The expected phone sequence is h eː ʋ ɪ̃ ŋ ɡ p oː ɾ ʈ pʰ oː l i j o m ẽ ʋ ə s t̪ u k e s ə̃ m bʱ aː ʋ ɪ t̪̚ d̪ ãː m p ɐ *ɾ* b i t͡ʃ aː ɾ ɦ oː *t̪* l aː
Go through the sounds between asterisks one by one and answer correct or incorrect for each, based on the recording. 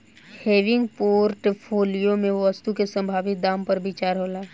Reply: correct, incorrect

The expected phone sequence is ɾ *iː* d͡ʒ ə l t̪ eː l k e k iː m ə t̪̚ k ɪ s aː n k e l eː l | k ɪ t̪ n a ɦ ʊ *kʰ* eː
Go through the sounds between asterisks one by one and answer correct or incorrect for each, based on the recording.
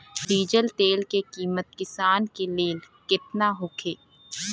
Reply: correct, correct

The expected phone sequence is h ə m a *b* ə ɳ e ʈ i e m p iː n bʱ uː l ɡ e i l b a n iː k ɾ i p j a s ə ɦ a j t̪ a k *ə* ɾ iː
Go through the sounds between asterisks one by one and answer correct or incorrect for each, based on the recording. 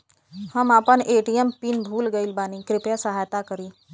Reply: incorrect, correct

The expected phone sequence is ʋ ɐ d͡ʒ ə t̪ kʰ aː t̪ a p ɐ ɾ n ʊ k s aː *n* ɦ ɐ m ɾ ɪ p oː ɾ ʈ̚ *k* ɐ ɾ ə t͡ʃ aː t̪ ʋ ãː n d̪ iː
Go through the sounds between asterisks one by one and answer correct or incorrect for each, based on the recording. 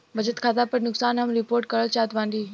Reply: correct, correct

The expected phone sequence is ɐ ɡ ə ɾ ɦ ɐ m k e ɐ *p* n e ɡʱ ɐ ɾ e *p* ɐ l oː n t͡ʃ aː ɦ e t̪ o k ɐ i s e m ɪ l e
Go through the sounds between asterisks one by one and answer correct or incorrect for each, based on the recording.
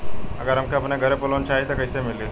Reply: correct, correct

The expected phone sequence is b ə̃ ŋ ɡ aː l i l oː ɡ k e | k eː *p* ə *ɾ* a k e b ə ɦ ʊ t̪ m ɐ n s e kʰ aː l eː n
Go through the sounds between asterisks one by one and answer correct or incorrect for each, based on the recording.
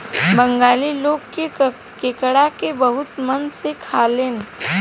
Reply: incorrect, incorrect

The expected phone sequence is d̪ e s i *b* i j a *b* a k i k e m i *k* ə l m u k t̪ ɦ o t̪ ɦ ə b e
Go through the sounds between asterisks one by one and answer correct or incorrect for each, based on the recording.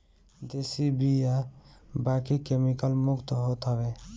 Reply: correct, correct, correct

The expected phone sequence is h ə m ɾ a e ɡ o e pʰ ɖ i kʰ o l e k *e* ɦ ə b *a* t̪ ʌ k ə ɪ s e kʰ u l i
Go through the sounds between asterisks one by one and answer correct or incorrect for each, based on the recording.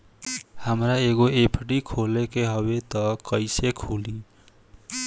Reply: correct, incorrect

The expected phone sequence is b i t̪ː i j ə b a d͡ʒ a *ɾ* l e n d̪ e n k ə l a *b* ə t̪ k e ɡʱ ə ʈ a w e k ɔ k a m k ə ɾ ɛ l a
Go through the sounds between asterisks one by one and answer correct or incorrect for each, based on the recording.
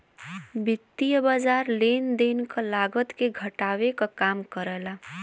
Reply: correct, incorrect

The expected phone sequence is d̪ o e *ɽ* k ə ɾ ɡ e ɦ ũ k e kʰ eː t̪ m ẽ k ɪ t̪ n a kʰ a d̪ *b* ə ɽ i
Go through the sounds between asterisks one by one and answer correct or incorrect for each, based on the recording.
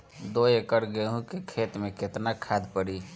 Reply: incorrect, incorrect

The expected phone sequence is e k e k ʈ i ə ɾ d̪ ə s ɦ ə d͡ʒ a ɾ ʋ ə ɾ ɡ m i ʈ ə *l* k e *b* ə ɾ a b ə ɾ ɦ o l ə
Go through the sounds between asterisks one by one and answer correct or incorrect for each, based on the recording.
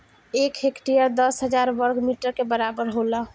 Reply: incorrect, correct

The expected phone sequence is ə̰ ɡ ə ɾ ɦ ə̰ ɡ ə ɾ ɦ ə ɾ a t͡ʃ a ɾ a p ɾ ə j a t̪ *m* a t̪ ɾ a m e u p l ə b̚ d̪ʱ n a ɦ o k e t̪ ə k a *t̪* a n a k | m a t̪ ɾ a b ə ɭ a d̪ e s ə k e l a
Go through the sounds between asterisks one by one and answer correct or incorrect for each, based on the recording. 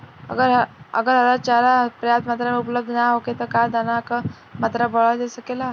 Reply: correct, incorrect

